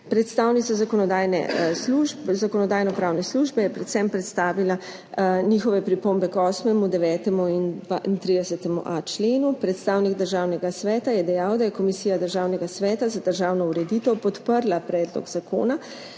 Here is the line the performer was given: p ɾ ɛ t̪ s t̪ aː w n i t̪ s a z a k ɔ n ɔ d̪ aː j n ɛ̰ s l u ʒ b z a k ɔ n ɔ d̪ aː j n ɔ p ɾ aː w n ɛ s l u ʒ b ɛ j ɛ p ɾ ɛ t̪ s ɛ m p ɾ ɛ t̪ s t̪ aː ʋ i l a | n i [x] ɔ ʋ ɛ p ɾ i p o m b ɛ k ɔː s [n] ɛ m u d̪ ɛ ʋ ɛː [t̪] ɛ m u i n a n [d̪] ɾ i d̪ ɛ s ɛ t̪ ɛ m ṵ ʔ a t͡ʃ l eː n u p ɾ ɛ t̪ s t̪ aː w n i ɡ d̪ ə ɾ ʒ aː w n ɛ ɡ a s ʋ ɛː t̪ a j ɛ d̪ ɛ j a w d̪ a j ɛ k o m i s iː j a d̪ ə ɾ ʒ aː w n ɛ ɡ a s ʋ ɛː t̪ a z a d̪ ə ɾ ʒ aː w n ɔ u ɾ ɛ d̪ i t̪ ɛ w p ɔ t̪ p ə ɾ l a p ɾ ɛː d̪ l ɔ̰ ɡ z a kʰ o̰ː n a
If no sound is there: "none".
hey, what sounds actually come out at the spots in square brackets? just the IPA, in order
x, m, t̪, t̪

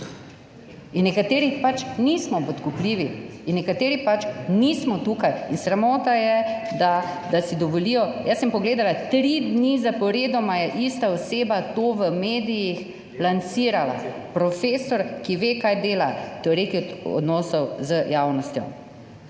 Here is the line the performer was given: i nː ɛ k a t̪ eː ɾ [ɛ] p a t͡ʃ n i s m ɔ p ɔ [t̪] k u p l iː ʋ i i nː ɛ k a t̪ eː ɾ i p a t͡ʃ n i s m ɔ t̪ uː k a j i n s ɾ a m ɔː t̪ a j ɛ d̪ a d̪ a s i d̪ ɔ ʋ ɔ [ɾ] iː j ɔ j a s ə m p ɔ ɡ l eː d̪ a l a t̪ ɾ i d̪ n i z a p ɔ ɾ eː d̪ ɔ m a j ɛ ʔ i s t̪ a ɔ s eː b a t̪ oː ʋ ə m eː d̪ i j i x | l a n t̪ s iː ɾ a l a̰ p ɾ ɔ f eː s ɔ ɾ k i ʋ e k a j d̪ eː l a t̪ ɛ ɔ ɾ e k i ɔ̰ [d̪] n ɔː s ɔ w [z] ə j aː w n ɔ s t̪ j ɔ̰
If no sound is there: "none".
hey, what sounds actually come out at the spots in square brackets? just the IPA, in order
i, t̪, l, d̪, z

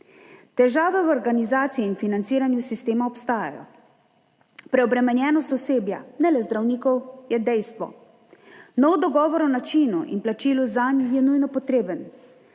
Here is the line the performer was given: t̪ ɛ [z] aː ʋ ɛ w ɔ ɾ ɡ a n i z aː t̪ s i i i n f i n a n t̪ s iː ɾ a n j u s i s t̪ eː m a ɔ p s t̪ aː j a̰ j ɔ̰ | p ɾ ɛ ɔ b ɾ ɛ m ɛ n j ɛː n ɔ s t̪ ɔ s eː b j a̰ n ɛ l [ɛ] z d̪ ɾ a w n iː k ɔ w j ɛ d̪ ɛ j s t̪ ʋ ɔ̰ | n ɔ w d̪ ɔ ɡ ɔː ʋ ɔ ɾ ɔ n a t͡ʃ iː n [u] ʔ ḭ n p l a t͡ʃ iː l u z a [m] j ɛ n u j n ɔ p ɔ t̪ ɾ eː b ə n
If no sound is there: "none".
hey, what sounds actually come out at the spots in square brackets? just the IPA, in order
ʒ, ɛ, u, n

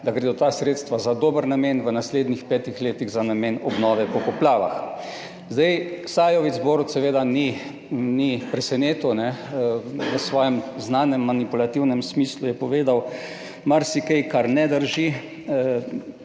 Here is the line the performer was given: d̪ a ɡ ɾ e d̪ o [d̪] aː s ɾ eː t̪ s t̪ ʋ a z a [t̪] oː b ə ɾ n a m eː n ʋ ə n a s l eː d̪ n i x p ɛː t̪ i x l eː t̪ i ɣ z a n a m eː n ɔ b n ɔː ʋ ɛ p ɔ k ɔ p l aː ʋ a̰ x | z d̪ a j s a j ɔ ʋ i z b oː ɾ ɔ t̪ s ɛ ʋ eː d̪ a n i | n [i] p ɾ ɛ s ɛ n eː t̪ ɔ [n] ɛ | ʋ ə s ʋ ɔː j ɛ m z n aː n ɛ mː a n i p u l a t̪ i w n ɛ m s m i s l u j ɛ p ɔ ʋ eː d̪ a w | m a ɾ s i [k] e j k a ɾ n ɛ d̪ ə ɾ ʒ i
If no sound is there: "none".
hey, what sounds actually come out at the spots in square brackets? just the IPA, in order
t̪, d̪, i, n, k

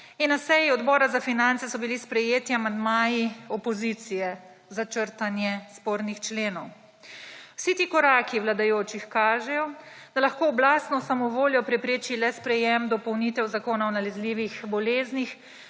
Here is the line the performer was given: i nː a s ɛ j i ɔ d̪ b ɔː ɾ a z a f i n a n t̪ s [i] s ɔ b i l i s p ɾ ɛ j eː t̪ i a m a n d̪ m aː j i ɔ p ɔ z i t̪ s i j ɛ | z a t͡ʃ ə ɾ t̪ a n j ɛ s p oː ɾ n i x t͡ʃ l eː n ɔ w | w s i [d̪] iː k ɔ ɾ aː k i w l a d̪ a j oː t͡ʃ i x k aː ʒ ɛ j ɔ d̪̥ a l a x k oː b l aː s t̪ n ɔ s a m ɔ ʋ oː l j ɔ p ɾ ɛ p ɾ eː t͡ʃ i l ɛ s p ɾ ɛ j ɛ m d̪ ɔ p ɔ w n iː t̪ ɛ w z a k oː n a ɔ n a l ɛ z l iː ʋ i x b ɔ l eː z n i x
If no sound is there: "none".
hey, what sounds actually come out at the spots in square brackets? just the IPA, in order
ɛ, t̪

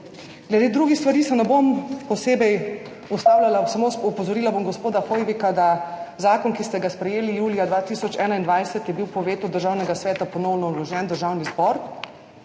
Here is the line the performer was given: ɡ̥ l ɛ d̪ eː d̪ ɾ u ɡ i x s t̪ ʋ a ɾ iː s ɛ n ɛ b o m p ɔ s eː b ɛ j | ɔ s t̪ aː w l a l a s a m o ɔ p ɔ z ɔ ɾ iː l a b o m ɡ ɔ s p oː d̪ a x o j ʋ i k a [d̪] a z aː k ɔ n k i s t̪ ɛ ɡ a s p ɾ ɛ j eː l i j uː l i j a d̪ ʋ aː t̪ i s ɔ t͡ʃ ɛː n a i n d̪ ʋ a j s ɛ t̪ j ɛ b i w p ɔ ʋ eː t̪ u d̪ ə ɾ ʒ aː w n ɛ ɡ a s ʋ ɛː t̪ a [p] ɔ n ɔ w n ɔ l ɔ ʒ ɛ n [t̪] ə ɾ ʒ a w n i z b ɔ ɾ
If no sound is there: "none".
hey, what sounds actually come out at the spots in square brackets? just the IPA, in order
d̪, p, d̪

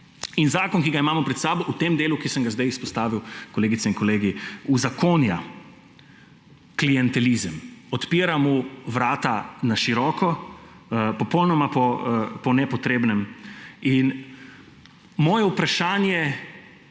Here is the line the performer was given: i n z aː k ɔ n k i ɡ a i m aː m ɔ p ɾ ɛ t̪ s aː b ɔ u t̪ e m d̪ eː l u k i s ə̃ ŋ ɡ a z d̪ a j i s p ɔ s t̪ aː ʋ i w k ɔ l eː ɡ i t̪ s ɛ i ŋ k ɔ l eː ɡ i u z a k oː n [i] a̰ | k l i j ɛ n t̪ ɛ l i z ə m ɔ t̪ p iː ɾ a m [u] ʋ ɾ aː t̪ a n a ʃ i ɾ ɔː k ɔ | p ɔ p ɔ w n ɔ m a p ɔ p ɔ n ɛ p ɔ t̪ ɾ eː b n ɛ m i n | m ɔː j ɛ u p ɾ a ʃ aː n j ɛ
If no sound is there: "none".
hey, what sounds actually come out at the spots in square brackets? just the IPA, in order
j, u

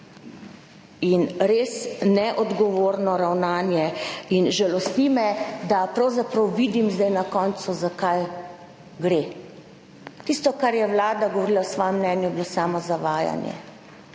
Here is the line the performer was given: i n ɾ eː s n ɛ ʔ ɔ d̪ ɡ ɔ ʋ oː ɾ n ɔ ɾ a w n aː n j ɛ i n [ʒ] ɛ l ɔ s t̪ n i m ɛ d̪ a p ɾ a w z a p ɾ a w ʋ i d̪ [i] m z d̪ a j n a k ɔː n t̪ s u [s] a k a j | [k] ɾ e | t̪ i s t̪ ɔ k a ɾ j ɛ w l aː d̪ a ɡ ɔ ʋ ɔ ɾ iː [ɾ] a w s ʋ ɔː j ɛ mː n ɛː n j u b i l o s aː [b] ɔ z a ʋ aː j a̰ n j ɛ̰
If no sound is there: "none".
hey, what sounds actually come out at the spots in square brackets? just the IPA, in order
ʒ, i, z, ɡ, l, m

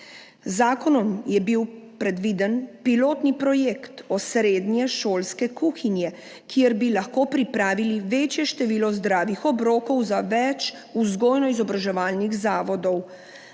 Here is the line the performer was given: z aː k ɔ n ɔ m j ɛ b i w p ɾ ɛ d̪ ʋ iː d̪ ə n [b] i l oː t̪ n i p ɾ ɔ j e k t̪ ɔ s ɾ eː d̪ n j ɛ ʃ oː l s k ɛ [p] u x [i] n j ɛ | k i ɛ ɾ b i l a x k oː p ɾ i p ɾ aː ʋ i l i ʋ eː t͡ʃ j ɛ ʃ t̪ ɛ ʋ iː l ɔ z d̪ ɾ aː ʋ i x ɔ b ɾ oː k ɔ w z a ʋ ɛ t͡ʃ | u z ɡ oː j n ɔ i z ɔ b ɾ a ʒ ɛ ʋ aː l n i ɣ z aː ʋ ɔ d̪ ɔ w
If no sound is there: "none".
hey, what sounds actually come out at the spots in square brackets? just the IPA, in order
p, k, i

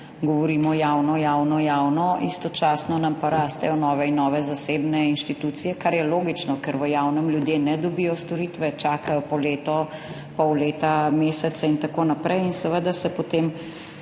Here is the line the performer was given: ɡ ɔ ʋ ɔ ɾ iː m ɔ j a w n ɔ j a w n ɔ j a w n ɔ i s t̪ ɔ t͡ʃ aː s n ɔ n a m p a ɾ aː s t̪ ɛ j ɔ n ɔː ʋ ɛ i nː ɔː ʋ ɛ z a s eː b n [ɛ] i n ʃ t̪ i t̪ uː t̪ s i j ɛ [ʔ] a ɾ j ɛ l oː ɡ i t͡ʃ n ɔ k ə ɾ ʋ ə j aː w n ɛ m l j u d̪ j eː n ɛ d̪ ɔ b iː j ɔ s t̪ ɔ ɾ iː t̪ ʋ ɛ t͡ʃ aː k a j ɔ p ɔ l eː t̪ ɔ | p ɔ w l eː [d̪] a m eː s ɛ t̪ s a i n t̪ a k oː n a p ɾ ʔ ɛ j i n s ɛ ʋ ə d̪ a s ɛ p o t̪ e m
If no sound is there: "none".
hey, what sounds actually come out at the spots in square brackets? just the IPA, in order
ɛ, k, t̪

